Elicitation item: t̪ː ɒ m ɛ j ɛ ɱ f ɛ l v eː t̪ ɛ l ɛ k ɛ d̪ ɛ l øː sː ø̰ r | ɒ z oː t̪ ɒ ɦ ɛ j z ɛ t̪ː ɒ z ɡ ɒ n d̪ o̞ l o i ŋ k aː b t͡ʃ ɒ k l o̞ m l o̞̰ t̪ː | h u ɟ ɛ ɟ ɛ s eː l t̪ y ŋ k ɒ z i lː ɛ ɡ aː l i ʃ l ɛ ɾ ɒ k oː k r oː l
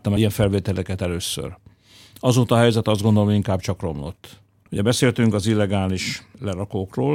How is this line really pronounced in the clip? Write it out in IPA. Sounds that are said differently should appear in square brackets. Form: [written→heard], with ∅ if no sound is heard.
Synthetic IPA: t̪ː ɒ m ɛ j ɛ ɱ f ɛ l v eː t̪ ɛ l ɛ k ɛ [d̪→t̪] ɛ l øː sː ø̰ r | ɒ z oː t̪ ɒ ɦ ɛ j z ɛ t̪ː ɒ z ɡ [ɒ→o] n d̪ o̞ l o i ŋ k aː b t͡ʃ ɒ k [l→r] o̞ m l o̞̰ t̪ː | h u ɟ ɛ [ɟ→b] ɛ s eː l t̪ y ŋ k ɒ z i lː ɛ ɡ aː l i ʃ l ɛ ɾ ɒ k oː k r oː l